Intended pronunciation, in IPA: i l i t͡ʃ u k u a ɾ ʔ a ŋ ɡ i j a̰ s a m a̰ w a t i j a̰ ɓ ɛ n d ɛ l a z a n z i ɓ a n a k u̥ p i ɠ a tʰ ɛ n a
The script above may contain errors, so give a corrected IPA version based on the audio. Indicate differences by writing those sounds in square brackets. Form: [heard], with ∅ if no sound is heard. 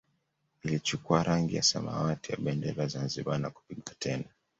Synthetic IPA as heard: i l i t͡ʃ u k u a ɾ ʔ a ŋ ɡ i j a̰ s a m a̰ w a t i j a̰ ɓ ɛ n d ɛ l a z a n z i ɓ a n a k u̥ p i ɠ a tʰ ɛ n a